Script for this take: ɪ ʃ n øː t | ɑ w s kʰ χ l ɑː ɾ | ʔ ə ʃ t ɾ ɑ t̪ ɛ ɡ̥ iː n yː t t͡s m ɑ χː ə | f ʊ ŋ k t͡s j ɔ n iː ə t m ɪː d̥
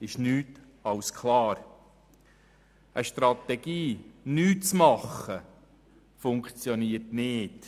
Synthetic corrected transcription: ɪ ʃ n yː t | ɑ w s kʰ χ l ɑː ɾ | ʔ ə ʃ t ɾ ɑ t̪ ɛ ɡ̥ iː n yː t t͡s m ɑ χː ə | f ʊ ŋ k t͡s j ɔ n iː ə t n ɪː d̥

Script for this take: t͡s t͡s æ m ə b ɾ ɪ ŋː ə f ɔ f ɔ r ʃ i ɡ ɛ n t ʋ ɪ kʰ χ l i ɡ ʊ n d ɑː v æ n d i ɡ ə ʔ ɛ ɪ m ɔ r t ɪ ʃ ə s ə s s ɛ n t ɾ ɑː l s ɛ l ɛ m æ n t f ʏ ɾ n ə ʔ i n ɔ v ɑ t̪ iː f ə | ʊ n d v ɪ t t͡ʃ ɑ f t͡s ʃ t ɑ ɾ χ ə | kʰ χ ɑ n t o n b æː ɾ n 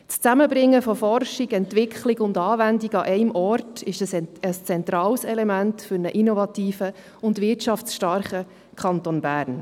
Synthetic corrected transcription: t͡s t͡s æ m ə b ɾ ɪ ŋː ə f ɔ f ɔ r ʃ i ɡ ɛ n t ʋ ɪ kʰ χ l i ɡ ʊ n d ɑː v æ n d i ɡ ɑ ʔ ɛ ɪ m ɔ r t ɪ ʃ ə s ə s t͡s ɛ n t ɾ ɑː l s ɛ l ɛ m æ n t f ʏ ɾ n ə ʔ i n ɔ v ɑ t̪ iː f ə | ʊ n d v ɪ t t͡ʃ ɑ f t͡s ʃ t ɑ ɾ χ ə | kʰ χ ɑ n t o n b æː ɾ n

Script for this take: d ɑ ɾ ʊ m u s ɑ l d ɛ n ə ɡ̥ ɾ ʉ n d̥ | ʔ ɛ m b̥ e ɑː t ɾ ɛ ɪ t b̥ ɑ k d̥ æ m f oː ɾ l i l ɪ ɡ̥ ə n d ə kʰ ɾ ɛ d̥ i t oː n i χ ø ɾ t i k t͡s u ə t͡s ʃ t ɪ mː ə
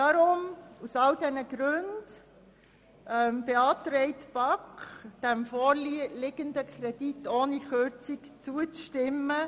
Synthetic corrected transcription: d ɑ ɾ ʊ m u s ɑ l d ɛ n ə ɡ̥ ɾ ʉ n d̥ | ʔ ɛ m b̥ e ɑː t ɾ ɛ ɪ t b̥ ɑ k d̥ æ m f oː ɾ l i l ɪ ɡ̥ ə n d ə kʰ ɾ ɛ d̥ i t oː n i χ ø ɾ t͡s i k t͡s u ə t͡s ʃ t ɪ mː ə

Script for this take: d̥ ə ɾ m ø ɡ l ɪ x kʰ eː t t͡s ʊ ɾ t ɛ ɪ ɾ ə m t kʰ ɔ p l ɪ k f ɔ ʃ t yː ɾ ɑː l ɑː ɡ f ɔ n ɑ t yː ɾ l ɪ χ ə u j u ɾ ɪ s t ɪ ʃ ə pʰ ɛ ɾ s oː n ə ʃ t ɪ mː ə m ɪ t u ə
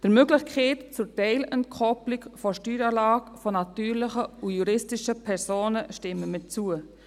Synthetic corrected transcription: d̥ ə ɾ m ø ɡ l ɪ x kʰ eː t t͡s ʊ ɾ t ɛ ɪ l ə n t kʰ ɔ p l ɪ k f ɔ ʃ t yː ɾ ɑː l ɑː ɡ f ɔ n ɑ t yː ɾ l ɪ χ ə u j u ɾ ɪ s t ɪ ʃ ə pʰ ɛ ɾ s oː n ə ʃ t ɪ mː ə m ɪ t͡s u ə

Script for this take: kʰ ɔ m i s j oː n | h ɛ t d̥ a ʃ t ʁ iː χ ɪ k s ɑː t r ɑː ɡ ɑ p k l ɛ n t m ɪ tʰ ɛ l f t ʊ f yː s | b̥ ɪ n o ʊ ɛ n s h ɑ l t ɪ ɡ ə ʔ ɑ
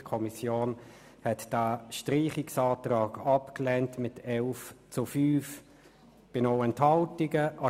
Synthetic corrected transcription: kʰ ɔ m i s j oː n | h ɛ t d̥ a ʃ t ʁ iː χ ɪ k s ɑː t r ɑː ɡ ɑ p k l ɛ n t m ɪ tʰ ɛ l f t͡s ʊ f yː f | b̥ ɪ n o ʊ ɛ n t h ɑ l t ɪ ɡ ə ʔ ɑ

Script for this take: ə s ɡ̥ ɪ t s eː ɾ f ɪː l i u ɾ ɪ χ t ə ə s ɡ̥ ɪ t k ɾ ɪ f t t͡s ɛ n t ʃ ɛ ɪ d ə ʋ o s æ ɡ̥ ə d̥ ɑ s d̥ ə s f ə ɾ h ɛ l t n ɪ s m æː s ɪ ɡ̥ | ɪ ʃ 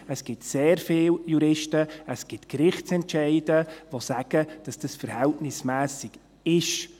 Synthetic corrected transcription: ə s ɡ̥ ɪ t s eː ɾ f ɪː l j u ɾ ɪ ʃ t ə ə s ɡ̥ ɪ t k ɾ ɪ χ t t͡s ɛ n t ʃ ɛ ɪ d ə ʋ o s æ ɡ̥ ə d̥ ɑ s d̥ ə s f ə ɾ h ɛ l t n ɪ s m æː s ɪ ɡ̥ | ɪ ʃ

